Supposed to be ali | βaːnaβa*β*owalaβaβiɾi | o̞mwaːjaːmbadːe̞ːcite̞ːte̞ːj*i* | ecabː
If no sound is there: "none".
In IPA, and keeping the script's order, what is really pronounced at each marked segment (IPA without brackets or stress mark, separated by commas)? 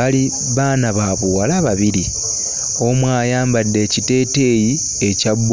β, i